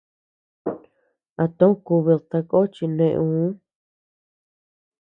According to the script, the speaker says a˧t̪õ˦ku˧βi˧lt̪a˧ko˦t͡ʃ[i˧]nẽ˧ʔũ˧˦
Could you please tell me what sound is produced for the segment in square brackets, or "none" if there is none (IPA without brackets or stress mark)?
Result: i˧